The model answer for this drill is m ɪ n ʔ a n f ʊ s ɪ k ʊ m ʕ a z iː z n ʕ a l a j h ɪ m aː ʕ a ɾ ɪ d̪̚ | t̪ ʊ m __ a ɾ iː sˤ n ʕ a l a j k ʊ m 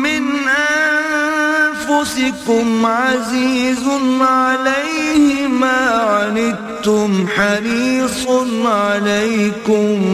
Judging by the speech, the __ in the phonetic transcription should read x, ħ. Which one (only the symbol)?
ħ